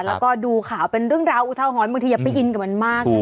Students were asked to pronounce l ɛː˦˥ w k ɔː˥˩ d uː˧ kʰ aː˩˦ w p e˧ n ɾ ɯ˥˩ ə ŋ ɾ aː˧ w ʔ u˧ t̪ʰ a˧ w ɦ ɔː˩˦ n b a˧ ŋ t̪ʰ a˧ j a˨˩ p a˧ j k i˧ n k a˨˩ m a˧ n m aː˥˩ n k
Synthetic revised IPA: l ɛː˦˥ w k ɔː˥˩ d uː˧ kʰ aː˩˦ w p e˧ n ɾ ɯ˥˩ ə ŋ ɾ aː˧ w ʔ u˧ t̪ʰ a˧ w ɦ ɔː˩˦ n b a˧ ŋ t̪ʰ i˧ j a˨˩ p a˧ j ʔ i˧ n k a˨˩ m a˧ n m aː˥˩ k